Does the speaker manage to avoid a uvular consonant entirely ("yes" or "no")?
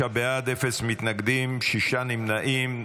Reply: yes